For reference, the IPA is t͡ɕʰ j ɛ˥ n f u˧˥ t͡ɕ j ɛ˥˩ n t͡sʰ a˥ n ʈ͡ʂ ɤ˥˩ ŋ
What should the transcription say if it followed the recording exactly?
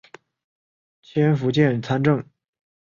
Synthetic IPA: t͡ɕʰ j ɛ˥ n f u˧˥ t͡ɕ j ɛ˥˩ n t͡sʰ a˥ n ʈ͡ʂ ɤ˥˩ ŋ